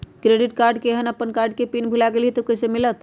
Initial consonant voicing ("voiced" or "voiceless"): voiceless